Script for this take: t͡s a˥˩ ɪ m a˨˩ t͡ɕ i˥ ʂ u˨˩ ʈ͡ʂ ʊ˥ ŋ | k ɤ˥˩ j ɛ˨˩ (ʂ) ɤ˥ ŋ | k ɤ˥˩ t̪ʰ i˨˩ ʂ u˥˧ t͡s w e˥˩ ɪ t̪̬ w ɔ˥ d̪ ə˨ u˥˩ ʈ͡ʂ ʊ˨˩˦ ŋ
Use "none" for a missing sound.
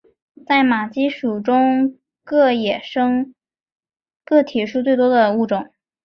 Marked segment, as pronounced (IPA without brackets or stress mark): ʂ